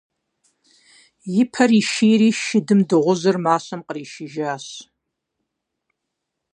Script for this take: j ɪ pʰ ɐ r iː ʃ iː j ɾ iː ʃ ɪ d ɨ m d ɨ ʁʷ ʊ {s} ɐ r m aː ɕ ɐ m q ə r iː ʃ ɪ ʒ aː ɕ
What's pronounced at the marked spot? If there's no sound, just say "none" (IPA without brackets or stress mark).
z